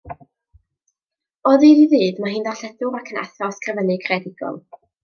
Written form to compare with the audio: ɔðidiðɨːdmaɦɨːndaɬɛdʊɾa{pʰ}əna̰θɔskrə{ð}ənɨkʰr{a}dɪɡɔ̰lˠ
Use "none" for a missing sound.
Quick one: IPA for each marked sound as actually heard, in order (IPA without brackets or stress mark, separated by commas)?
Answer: kʰ, v, ɛ